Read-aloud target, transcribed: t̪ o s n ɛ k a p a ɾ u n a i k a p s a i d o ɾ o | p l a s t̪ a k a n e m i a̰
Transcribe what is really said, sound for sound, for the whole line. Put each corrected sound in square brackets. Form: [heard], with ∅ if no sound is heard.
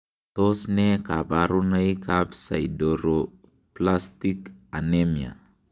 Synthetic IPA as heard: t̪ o s n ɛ k a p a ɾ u n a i k a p s a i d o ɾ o | p l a s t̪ [i] k a n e m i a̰